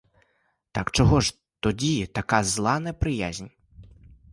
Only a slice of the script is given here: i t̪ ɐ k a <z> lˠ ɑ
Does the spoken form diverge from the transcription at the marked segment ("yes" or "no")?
no